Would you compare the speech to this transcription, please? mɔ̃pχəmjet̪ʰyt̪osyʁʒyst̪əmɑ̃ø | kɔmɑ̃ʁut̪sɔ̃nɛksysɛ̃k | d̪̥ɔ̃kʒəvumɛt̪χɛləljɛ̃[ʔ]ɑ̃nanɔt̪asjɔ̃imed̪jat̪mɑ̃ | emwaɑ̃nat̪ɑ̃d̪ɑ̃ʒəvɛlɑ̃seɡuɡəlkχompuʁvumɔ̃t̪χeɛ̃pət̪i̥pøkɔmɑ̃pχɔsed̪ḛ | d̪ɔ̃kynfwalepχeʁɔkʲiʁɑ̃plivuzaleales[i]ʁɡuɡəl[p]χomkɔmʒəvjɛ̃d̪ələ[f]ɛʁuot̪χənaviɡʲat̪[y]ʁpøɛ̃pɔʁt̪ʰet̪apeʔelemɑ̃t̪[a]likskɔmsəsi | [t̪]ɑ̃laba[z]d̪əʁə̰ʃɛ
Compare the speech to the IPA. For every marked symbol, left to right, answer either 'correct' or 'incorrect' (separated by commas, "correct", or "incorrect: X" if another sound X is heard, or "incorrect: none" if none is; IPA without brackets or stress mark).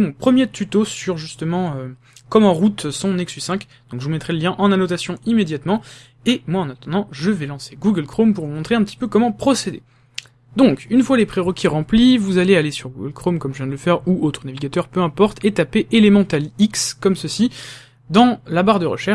correct, incorrect: y, incorrect: k, correct, incorrect: œ, correct, incorrect: d̪, incorrect: ʁ